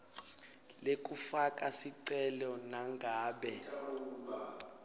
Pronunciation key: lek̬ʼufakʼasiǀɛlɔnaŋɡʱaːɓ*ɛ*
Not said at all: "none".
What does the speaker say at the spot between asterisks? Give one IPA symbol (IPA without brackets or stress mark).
ɛ